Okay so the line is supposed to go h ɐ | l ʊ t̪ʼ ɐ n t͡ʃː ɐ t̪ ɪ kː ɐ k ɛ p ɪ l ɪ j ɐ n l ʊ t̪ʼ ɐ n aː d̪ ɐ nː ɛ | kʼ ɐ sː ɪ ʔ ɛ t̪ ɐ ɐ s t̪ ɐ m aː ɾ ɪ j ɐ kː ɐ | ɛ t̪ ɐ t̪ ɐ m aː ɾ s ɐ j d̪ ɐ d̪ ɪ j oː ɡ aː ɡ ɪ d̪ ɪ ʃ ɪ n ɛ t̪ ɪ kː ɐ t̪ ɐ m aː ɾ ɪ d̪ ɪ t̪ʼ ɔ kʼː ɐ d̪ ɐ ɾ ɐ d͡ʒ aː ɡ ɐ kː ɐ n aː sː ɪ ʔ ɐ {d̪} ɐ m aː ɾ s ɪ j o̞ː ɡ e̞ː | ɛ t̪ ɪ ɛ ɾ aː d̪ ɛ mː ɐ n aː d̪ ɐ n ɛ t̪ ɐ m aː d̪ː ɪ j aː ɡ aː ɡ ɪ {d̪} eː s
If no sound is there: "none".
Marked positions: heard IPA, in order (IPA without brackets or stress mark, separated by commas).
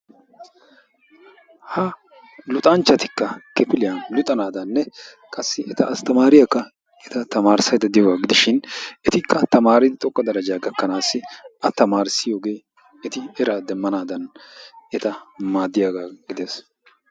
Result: t̪, d̪